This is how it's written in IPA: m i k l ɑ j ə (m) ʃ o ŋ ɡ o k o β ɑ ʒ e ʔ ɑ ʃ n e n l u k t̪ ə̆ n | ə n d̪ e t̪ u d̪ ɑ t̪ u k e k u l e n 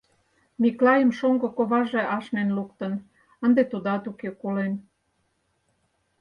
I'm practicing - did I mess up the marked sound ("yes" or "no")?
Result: no